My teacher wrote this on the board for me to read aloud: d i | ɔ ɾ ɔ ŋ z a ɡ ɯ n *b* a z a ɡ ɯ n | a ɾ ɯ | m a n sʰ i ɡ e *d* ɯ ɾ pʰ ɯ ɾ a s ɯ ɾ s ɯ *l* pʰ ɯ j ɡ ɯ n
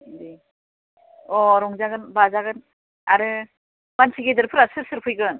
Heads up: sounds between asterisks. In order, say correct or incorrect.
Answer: correct, correct, incorrect

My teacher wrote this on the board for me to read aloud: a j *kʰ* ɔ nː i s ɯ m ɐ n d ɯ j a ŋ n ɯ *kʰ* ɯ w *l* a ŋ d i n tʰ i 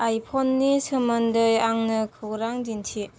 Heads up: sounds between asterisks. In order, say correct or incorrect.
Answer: incorrect, correct, incorrect

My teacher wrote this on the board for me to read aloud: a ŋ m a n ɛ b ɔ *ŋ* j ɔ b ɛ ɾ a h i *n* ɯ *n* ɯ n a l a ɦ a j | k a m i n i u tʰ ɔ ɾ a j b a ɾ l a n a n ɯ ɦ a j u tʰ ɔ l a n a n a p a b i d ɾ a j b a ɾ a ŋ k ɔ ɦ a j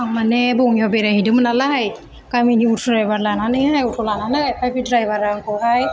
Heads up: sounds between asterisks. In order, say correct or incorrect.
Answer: correct, incorrect, incorrect

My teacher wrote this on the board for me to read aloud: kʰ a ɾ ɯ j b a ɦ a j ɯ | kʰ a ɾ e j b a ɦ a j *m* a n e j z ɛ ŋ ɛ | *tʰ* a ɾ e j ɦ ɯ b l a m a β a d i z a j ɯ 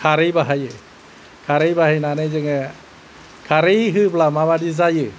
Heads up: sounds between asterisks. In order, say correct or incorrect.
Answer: incorrect, incorrect

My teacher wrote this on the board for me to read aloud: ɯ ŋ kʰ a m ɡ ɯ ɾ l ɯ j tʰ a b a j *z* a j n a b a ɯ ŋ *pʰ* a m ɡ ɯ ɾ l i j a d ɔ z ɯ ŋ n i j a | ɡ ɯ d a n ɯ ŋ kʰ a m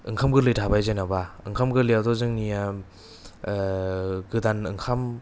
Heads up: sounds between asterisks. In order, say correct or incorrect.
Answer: correct, incorrect

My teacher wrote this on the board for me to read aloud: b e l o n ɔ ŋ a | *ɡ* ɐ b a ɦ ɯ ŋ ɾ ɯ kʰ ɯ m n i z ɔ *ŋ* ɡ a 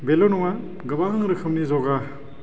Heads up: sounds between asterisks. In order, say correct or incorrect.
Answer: correct, incorrect

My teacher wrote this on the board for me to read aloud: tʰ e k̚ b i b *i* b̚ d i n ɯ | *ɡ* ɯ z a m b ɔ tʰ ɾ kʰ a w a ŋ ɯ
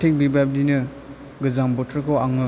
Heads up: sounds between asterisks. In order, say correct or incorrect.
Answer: incorrect, correct

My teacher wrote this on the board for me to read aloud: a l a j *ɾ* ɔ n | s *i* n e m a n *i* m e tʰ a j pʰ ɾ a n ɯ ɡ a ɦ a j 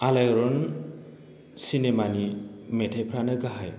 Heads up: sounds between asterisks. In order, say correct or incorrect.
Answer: correct, correct, correct

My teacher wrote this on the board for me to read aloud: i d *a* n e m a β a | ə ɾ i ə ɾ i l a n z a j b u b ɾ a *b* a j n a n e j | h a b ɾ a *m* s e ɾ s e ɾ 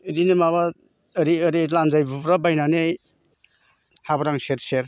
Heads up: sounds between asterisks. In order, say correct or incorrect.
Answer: incorrect, correct, incorrect

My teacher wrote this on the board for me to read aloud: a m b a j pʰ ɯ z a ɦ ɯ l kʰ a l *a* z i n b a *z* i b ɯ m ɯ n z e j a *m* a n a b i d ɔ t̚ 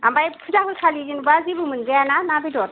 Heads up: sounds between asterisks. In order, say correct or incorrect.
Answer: incorrect, correct, incorrect

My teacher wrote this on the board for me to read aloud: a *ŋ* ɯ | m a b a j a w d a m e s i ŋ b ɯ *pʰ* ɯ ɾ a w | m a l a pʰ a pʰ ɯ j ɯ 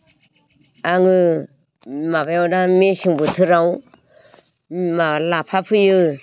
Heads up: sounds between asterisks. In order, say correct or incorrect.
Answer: correct, incorrect

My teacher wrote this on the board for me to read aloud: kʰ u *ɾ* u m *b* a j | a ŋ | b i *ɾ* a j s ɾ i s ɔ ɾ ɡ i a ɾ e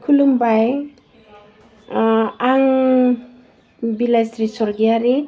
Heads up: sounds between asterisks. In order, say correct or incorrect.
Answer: incorrect, correct, incorrect

